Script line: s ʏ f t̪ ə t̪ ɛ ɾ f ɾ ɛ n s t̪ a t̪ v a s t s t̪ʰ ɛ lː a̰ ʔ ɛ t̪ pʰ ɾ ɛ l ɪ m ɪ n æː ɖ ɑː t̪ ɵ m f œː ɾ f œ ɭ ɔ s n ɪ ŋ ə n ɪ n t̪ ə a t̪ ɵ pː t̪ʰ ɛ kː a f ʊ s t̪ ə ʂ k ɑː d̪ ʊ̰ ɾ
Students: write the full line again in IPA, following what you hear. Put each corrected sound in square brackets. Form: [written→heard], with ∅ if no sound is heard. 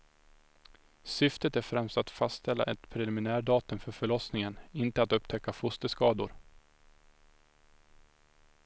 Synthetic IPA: s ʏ f t̪ ə t̪ [ɛ→æ] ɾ f ɾ ɛ [n→m] s t̪ a t̪ [v→f] a s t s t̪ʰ ɛ lː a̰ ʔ ɛ t̪ pʰ ɾ ɛ l ɪ m ɪ n æː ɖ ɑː t̪ ɵ m f [œː→œ] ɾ f œ ɭ ɔ s n ɪ ŋ ə n ɪ n t̪ ə a t̪ ɵ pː t̪ʰ ɛ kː a f ʊ s t̪ ə [ʂ→s] k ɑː d̪ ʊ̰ ɾ